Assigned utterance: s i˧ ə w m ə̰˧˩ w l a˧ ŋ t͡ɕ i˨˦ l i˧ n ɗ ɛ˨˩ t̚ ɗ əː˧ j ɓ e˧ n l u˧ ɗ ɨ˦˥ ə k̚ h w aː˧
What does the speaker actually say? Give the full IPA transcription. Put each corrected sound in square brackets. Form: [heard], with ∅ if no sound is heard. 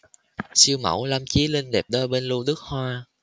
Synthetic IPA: s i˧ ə w m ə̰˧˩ w l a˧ [m] t͡ɕ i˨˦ l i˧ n ɗ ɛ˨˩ [p̚] ɗ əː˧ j ɓ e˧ n l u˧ ɗ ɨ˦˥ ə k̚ h w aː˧